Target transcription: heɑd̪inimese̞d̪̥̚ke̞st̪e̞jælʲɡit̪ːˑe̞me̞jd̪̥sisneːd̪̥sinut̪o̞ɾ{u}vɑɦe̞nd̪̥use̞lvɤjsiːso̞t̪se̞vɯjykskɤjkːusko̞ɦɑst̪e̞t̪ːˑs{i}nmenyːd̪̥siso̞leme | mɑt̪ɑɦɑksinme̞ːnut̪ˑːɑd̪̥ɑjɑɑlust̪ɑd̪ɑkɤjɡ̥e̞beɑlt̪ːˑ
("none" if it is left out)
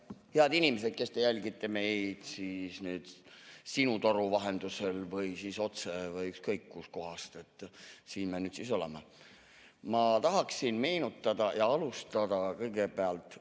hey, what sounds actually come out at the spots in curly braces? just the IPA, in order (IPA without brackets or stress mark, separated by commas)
u, iː